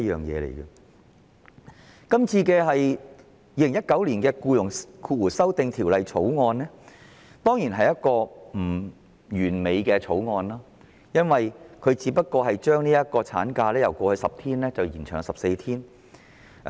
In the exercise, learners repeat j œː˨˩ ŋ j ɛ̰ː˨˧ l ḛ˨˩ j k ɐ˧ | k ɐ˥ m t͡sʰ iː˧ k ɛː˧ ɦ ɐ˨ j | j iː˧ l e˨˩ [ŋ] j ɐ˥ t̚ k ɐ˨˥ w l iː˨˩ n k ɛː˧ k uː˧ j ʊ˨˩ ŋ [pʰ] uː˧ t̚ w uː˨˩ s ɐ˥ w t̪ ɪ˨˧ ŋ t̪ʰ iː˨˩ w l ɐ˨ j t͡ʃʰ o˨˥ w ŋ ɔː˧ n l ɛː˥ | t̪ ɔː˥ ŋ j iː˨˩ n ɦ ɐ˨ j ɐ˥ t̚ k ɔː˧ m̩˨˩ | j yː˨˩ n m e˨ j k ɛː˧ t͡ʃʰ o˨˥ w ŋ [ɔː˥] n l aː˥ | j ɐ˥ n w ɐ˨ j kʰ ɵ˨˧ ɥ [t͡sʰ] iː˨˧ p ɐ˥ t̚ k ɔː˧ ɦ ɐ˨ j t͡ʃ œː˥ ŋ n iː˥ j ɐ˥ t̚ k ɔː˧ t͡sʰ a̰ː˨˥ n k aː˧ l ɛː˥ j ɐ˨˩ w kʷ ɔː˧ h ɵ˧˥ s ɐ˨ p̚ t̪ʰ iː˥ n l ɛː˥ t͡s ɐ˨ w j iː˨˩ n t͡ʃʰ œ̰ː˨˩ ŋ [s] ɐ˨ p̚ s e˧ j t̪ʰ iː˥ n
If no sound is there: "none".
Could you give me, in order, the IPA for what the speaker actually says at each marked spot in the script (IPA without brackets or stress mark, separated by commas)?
ŋ, kʰ, ɔː˧, t͡s, s